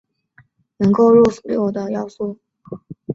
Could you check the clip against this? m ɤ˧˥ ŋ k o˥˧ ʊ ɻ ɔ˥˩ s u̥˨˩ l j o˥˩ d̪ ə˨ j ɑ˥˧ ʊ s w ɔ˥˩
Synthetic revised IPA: n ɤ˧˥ ŋ k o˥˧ ʊ ɻ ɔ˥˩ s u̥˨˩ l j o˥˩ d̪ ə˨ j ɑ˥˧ ʊ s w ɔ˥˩